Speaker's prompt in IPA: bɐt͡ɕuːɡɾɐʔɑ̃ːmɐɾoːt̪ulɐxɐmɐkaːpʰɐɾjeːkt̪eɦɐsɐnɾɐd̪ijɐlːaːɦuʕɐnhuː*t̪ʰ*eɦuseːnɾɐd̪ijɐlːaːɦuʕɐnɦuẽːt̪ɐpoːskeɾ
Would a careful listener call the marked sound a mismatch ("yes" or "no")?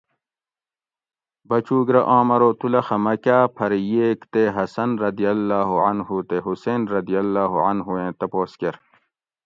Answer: yes